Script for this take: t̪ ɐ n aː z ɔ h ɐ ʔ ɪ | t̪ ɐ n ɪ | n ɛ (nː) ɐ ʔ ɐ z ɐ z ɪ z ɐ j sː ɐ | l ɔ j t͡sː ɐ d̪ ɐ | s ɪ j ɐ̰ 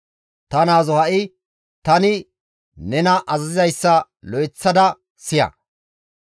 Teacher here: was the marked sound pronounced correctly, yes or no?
no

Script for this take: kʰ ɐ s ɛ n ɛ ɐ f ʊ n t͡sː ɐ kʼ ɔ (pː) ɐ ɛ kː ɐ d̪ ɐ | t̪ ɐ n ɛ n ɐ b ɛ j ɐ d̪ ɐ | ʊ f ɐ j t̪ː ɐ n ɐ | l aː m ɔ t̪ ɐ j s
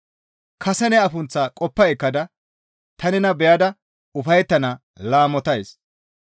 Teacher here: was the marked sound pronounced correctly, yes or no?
yes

